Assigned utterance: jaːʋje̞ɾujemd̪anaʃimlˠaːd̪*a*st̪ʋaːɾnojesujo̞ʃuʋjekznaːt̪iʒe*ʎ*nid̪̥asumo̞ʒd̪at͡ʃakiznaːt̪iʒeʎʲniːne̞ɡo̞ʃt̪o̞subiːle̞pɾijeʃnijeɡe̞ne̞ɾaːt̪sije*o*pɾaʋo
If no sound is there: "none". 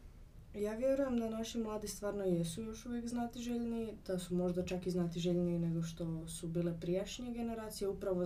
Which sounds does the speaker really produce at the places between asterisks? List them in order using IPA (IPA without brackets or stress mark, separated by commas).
i, ʎ, u